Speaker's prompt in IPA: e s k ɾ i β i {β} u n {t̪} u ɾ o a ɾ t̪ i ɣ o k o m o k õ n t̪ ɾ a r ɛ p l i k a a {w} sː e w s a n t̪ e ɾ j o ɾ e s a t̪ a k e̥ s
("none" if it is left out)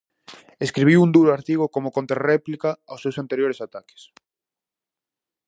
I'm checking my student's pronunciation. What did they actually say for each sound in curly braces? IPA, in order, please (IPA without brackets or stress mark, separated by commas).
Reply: w, d̪, w